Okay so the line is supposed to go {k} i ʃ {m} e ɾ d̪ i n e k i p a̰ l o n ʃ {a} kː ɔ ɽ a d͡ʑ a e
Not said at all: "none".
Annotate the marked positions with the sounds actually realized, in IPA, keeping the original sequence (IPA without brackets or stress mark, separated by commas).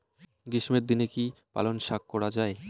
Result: ɡ, m, a